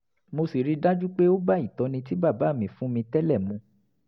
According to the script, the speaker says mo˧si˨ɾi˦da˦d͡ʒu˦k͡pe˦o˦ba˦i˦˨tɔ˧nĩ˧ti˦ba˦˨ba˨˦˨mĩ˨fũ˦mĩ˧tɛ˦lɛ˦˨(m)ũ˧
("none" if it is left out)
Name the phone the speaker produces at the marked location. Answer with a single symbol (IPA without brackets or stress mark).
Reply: m